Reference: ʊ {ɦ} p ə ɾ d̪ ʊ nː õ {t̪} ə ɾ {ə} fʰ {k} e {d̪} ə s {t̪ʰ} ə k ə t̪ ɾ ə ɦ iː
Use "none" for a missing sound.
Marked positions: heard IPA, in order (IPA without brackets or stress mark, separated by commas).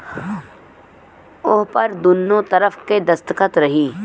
ɦ, t̪, ə, k, d̪, t̪